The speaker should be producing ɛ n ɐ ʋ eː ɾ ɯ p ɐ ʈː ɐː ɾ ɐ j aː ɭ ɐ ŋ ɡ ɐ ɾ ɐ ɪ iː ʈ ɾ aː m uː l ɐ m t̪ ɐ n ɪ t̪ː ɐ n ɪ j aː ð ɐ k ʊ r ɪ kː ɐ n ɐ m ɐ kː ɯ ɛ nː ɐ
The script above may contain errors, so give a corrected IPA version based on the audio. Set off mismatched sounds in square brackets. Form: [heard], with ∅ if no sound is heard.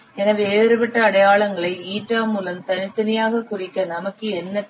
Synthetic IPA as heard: ɛ n ɐ ʋ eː ɾ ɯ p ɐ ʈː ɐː [ɽ] ɐ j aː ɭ ɐ ŋ ɡ ɐ [ɭ] ɐ ɪ iː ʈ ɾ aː m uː l ɐ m t̪ ɐ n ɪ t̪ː ɐ n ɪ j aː [ɣ] ɐ k ʊ r ɪ kː ɐ n ɐ m ɐ kː ɯ ɛ nː ɐ